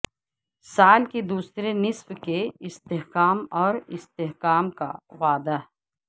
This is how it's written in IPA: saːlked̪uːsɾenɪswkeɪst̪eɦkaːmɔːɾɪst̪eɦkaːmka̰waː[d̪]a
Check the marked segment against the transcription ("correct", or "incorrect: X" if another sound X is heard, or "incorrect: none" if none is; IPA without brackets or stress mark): correct